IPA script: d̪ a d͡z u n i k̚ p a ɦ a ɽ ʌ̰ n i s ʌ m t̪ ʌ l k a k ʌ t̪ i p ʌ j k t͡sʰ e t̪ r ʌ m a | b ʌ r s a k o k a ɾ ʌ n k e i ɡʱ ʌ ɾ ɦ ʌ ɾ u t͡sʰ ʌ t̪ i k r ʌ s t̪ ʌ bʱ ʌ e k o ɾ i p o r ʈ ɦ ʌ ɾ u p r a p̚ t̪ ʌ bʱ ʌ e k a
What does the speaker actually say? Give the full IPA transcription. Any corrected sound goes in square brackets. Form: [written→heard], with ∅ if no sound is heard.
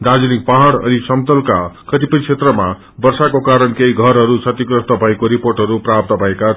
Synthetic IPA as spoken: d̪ a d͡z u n i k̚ p a ɦ a ɽ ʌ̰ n i s ʌ m t̪ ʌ l k a k ʌ t̪ i p ʌ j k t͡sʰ e t̪ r ʌ m a | b ʌ r s a k o k a ɾ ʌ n k e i ɡʱ ʌ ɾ ɦ ʌ ɾ u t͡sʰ ʌ t̪ i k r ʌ s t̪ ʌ bʱ ʌ e k o ɾ i p o r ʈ ɦ ʌ ɾ u p r a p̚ t̪ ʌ bʱ ʌ e k a